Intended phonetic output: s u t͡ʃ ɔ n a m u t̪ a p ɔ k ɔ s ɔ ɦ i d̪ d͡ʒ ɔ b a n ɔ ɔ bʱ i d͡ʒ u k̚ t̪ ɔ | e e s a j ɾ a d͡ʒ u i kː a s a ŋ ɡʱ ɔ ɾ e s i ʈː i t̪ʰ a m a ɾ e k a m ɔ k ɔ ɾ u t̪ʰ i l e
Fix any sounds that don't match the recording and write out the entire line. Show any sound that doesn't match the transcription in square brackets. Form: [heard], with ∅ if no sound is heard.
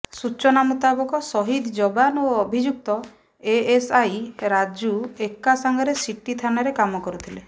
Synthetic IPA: s u t͡ʃ ɔ n a m u t̪ a [b] ɔ k ɔ s ɔ ɦ i d̪ d͡ʒ ɔ b a n [o] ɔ bʱ i d͡ʒ u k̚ t̪ ɔ | e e s a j ɾ a d͡ʒ u [e] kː a s a ŋ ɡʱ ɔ ɾ e s i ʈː i t̪ʰ a [n] a ɾ e k a m ɔ k ɔ ɾ u t̪ʰ i l e